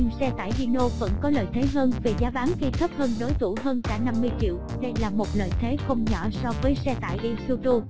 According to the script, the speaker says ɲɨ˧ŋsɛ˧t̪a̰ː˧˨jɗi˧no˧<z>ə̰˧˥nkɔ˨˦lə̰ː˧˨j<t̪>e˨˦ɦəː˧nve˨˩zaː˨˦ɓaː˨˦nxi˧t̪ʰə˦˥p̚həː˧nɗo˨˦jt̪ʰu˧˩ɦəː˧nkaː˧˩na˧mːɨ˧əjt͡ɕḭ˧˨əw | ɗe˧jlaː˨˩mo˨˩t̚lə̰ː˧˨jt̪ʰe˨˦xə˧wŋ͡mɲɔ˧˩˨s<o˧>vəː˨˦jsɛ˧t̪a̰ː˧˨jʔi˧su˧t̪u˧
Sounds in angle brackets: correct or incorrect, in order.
incorrect: v, incorrect: t̪ʰ, incorrect: ɔ˧

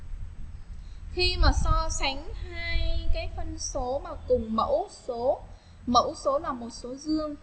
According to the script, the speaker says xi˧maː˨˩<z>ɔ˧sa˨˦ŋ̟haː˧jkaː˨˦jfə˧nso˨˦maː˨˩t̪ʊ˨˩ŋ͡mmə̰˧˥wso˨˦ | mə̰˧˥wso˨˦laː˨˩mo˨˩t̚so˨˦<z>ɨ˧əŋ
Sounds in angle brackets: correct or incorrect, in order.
incorrect: s, correct

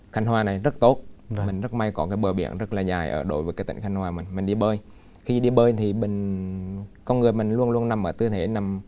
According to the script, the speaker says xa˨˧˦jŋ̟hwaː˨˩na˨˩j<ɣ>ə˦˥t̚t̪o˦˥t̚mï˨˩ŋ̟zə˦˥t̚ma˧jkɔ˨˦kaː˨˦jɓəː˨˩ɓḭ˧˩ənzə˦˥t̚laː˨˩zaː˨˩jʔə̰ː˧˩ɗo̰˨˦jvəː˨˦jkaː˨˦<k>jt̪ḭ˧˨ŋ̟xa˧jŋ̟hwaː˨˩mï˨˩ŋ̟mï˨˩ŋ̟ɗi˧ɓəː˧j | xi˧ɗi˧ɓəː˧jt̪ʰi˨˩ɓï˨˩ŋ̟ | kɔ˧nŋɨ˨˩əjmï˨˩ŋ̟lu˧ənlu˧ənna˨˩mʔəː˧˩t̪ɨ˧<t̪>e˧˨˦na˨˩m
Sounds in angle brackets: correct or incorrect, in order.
incorrect: z, incorrect: none, incorrect: t̪ʰ

